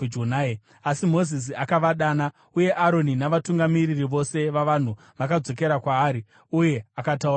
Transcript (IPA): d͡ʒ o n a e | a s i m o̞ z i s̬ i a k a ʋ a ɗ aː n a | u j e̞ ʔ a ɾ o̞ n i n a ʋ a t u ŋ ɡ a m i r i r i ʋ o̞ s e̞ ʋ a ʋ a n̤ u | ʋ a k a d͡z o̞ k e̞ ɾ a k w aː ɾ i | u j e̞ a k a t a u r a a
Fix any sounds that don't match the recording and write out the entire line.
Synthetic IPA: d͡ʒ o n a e | a s i m o̞ z i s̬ i a k a ʋ a ɗ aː n a | u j e̞ ʔ a ɾ o̞ n i n a ʋ a t u ŋ ɡ a m i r i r i ʋ o̞ s e̞ ʋ a ʋ a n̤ u | ʋ a k a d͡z o̞ k e̞ ɾ a k w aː ɾ i | u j e̞ a k a t a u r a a